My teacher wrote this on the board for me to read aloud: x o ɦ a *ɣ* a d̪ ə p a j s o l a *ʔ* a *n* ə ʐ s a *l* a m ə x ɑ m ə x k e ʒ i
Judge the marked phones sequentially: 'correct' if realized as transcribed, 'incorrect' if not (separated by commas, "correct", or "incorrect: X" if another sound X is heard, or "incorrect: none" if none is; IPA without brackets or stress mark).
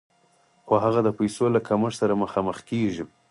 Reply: correct, incorrect: k, incorrect: m, incorrect: ɾ